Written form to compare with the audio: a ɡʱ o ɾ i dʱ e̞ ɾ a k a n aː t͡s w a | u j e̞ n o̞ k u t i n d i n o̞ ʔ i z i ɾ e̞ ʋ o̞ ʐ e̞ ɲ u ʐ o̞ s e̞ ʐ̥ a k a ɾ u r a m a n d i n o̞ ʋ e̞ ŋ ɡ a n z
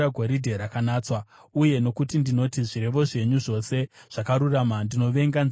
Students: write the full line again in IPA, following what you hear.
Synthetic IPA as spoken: a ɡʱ o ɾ i dʱ e̞ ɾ a k a n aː t͡s w a | u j e̞ n o̞ k u t i n d i n o̞ t i ʐ i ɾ e̞ ʋ o̞ ʐ e̞ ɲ u ʐ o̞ s e̞ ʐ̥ a k a ɾ u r a m a n d i n o̞ ʋ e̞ ŋ ɡ a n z

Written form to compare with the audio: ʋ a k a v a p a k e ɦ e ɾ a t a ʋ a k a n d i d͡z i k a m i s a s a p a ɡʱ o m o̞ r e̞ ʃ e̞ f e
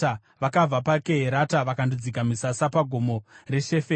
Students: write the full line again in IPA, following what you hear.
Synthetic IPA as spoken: ʋ a k a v a p a k e ɦ e ɾ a t a ʋ a k a n d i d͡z i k a m i s a s a p a ɡʱ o m o̞ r e̞ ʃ e̞ f e

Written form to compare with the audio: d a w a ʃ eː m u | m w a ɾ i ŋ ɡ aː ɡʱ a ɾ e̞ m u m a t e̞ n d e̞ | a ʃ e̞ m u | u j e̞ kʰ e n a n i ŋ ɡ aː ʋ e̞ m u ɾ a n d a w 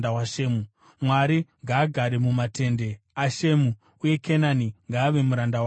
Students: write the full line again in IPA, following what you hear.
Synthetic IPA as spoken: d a w a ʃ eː m u | m w a ɾ i ŋ ɡ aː ɡʱ a ɾ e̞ m u m a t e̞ n d e̞ | a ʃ e̞ m u | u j e̞ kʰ e n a n i ŋ ɡ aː ʋ e̞ m u ɾ a n d a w

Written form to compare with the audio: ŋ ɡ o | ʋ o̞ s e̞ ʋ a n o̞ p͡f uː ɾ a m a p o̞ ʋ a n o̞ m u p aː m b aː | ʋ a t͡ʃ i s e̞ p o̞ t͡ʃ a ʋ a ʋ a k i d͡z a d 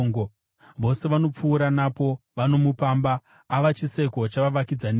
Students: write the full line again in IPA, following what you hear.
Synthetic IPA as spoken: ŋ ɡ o | ʋ o̞ s e̞ ʋ a n o̞ p͡f uː ɾ a n a p o̞ ʋ a n o̞ m u p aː m b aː | ʋ a t͡ʃ i s e̞ k o̞ t͡ʃ a ʋ a ʋ a k i d͡z a n

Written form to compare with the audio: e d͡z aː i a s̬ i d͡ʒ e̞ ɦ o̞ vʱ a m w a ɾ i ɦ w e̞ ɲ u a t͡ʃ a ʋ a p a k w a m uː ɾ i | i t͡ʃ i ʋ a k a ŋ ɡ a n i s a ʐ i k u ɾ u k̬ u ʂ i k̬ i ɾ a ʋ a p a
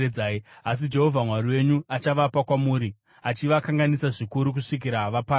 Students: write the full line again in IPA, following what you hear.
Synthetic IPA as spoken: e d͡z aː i a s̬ i d͡ʒ e̞ ɦ o̞ vʱ a m w a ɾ i w e̞ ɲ u a t͡ʃ a ʋ a p a k w a m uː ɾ i | a t͡ʃ i ʋ a k a ŋ ɡ a n i s a ʐ i k u ɾ u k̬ u ʂ i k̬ i ɾ a ʋ a p a

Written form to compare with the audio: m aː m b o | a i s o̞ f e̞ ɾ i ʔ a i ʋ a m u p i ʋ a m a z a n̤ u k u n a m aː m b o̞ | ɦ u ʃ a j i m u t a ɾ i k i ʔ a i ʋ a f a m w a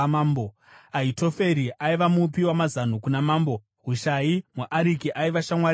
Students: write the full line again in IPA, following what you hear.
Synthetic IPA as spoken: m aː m b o | a i t o̞ f e̞ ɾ i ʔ a i ʋ a m u p i w a m a z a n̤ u k u n a m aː m b o̞ | ɦ u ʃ a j i m u ʔ a ɾ i k i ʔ a i ʋ a ʃ a m w a

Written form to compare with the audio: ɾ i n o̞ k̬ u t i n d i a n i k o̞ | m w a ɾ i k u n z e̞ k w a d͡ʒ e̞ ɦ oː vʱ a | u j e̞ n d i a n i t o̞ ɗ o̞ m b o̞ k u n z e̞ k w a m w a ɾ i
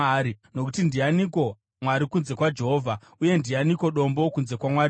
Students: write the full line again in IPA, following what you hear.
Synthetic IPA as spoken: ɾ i n o̞ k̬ u t i n d i a n i k o̞ | m w a ɾ i k u n z e̞ k w a d͡ʒ e̞ ɦ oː vʱ a | u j e̞ n d i a n i k o̞ ɗ o̞ m b o̞ k u n z e̞ k w a m w a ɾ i

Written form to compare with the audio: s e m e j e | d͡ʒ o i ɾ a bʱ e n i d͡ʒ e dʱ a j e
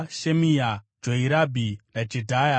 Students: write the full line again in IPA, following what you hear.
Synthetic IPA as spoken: ʃ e m i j a | d͡ʒ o i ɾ a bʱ i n a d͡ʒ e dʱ a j a

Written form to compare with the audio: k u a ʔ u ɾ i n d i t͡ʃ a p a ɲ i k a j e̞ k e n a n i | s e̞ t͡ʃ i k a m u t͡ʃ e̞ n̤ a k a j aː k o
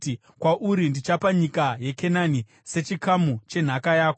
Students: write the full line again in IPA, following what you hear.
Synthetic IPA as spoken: k w a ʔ u ɾ i n d i t͡ʃ a p a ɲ i k a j e̞ k e n a n i | s e̞ t͡ʃ i k a m u t͡ʃ e̞ n̤ a k a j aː k o

